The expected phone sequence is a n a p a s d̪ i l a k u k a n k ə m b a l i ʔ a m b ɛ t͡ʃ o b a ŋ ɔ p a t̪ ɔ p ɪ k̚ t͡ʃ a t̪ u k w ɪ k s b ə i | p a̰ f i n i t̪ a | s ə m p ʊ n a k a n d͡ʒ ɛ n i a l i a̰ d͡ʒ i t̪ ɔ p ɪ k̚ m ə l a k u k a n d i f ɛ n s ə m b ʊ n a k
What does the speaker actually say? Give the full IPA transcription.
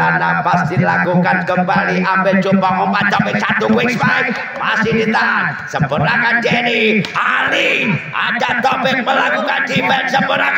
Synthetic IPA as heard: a n a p a s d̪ i l a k u k a n k ə m b a l i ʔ a m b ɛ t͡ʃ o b a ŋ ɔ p a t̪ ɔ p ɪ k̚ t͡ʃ a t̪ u k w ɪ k s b a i | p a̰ s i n i t̪ a | s ə m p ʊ n a k a n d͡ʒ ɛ n i a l i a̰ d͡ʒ a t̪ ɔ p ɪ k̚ m ə l a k u k a n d i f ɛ n s ə m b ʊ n a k